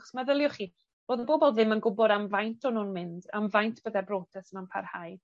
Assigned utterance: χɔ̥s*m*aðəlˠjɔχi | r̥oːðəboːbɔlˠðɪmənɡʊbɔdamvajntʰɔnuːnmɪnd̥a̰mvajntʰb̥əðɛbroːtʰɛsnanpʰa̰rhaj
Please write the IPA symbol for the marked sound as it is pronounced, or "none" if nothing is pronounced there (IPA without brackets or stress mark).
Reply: m